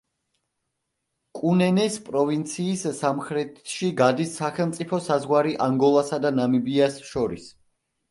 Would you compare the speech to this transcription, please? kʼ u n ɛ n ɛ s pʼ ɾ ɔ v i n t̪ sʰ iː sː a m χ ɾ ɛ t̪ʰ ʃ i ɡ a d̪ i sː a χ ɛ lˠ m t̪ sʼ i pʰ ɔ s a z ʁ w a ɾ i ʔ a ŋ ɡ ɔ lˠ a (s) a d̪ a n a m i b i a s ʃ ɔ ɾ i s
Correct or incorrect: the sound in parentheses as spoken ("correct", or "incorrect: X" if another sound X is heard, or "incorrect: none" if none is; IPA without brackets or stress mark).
correct